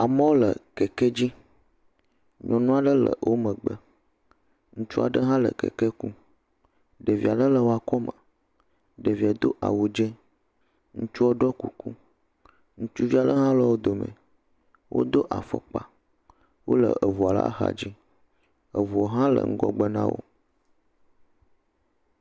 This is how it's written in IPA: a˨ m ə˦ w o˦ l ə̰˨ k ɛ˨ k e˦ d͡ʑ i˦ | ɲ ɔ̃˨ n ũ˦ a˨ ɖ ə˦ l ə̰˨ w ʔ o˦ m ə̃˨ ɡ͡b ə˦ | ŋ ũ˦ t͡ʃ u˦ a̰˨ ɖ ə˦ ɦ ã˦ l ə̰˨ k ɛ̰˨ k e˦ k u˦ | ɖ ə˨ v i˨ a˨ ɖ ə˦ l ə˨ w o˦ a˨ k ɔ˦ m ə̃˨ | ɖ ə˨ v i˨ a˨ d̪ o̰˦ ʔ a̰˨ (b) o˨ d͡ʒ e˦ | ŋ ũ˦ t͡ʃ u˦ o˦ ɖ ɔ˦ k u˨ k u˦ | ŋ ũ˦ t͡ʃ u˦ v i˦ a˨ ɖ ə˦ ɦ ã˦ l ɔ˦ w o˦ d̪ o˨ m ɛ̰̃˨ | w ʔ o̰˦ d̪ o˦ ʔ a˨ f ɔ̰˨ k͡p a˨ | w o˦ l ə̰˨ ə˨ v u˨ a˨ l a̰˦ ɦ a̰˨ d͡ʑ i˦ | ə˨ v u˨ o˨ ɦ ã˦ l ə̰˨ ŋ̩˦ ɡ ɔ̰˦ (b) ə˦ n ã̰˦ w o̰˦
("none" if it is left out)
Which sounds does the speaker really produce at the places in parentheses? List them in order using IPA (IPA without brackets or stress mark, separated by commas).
w, ɡ͡b